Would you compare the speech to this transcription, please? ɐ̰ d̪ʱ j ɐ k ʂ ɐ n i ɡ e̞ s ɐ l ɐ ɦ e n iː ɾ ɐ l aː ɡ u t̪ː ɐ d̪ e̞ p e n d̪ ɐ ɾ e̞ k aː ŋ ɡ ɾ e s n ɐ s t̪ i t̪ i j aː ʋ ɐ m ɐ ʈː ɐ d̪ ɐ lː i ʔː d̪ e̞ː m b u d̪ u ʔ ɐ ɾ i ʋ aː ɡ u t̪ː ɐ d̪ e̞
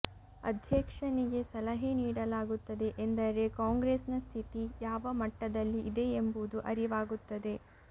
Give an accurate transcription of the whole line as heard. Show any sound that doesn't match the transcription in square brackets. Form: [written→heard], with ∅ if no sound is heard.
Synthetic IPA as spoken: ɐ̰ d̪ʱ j ɐ k ʂ ɐ n i ɡ e̞ s ɐ l ɐ ɦ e n iː [ɾ→ɽ] ɐ l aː ɡ u t̪ː ɐ d̪ e̞ [p→ʔ] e n d̪ ɐ ɾ e̞ k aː ŋ ɡ ɾ e s n ɐ s [t̪→t̪ʰ] i t̪ i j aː ʋ ɐ m ɐ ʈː ɐ d̪ ɐ lː i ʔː d̪ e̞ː m b u d̪ u ʔ ɐ ɾ i ʋ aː ɡ u t̪ː ɐ d̪ e̞